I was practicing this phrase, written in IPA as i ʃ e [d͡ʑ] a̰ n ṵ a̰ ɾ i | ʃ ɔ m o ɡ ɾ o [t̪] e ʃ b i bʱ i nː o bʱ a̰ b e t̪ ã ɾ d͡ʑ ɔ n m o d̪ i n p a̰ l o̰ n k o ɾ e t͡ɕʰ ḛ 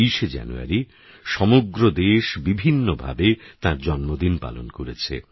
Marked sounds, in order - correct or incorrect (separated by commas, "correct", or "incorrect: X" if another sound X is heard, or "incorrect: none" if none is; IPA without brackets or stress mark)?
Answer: correct, incorrect: d̪